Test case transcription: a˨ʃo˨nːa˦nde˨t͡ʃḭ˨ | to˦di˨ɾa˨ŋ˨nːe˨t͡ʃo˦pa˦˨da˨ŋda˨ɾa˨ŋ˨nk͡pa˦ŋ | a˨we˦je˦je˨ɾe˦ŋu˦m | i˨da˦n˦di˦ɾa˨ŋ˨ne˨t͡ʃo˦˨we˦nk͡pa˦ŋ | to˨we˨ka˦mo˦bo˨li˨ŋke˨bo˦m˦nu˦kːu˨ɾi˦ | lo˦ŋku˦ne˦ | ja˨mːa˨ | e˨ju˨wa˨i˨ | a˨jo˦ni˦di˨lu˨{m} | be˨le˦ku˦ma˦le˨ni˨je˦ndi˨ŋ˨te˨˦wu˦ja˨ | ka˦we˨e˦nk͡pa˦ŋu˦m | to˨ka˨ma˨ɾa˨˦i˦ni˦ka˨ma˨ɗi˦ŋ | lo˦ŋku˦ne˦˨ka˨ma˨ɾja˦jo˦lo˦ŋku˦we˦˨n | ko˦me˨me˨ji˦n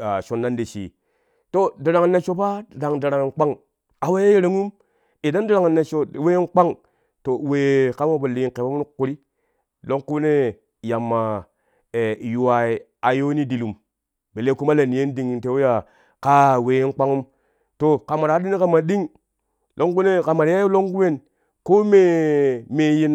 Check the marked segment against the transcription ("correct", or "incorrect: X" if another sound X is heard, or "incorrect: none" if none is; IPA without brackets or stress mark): correct